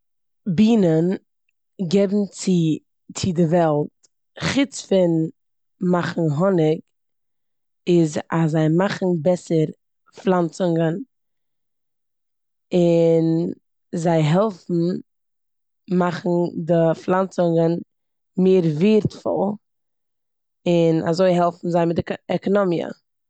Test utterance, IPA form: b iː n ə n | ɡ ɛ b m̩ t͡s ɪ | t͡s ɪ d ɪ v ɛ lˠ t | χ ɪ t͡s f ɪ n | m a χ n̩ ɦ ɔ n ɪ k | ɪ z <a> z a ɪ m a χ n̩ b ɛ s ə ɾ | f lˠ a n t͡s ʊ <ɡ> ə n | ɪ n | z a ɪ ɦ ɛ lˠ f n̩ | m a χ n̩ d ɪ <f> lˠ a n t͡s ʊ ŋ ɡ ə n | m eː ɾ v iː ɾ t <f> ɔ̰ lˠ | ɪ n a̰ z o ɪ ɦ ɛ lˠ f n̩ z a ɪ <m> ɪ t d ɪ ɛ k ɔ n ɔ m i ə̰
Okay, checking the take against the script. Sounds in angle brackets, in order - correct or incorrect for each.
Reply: correct, incorrect: ŋ, correct, correct, correct

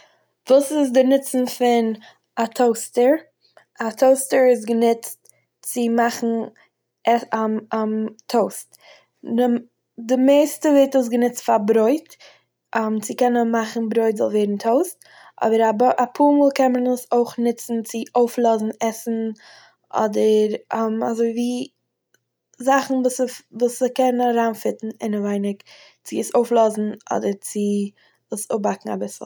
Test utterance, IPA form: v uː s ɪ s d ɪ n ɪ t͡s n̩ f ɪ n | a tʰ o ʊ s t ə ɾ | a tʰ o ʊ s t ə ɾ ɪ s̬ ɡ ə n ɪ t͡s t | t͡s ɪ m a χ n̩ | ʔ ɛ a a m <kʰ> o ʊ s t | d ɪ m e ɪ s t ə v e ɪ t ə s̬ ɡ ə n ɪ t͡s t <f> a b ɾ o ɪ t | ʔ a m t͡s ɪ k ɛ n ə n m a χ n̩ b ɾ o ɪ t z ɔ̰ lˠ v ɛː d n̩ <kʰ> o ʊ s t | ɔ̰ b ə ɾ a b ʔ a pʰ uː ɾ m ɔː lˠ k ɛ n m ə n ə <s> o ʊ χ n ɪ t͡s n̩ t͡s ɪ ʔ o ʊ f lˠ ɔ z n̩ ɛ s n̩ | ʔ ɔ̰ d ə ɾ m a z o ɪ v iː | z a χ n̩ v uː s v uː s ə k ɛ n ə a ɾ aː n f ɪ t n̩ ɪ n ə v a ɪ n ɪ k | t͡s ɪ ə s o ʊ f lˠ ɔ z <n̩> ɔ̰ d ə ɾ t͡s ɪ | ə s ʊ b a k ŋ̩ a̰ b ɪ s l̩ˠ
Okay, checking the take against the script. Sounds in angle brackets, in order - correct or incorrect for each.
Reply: incorrect: tʰ, correct, incorrect: tʰ, correct, correct

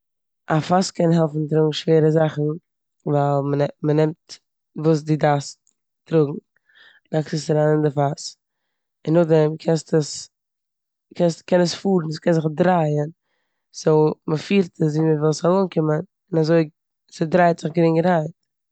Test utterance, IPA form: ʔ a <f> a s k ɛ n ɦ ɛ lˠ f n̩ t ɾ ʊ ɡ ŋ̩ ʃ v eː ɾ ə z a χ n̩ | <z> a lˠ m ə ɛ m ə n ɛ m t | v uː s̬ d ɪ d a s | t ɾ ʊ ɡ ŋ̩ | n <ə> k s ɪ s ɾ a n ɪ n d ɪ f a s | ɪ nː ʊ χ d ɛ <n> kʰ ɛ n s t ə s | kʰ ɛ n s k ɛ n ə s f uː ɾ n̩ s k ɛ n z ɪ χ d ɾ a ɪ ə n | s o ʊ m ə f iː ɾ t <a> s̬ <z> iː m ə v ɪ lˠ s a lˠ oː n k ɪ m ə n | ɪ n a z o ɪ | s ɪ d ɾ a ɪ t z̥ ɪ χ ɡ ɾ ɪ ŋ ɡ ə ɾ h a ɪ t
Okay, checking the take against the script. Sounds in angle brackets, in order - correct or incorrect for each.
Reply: correct, incorrect: v, incorrect: a, incorrect: m, incorrect: ə, incorrect: v

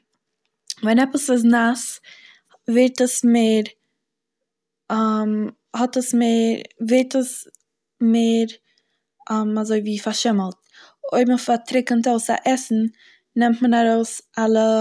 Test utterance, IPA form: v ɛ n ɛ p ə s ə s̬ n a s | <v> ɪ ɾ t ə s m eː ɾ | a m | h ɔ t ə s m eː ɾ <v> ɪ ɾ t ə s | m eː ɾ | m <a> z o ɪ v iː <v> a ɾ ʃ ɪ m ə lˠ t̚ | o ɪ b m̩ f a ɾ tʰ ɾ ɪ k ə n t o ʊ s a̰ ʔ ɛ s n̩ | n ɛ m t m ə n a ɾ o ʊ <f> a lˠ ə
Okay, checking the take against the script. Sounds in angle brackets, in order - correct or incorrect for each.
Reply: correct, correct, correct, incorrect: f, incorrect: s

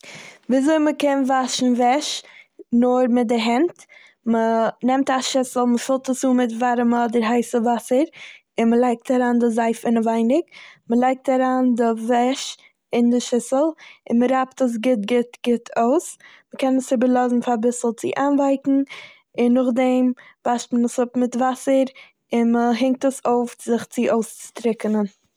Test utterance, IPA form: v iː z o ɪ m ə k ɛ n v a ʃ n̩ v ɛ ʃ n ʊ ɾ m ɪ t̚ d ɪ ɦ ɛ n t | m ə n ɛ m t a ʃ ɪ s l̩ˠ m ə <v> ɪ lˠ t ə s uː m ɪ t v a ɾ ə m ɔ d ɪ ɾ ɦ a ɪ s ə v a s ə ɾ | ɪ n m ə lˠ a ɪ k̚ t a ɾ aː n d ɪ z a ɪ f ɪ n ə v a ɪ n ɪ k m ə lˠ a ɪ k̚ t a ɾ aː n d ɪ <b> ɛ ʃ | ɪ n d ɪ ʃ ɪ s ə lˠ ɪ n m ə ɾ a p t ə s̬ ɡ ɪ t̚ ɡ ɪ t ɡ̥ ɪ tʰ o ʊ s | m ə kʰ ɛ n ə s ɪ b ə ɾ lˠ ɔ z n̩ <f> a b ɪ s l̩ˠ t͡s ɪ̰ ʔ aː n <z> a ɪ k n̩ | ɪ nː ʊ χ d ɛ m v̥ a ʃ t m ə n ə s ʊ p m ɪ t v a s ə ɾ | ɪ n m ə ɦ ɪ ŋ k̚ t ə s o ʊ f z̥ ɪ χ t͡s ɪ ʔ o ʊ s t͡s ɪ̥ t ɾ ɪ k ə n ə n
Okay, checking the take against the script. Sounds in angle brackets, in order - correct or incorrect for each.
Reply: incorrect: f, incorrect: v, correct, incorrect: v

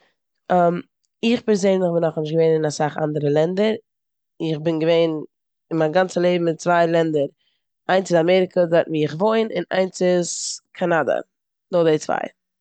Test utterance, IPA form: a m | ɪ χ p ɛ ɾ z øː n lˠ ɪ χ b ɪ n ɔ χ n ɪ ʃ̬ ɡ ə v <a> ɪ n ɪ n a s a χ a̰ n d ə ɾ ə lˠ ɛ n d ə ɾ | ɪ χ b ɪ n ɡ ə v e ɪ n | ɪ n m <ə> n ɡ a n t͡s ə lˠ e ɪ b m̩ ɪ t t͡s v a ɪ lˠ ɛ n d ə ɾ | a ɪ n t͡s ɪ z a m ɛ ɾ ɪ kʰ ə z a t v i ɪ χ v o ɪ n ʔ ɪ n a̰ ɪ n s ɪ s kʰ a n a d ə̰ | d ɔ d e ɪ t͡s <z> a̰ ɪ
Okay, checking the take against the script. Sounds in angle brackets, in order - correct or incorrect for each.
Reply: incorrect: e, incorrect: a, incorrect: v

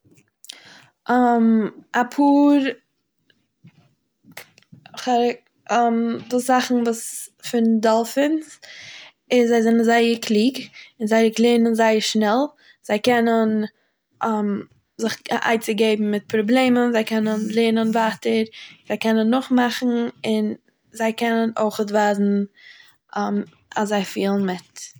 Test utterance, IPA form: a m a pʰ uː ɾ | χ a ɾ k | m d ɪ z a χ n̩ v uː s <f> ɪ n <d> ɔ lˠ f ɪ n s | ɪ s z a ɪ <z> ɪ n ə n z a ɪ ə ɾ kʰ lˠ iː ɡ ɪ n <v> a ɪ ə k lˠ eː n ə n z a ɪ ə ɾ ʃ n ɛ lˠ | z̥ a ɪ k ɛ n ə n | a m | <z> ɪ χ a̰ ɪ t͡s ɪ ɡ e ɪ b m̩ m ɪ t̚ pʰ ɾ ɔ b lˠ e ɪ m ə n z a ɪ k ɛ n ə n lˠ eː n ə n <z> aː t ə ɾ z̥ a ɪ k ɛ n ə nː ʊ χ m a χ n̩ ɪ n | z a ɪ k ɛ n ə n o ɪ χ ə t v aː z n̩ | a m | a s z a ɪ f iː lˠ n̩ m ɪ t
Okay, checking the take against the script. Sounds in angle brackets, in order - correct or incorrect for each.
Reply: correct, correct, correct, incorrect: z, correct, incorrect: v

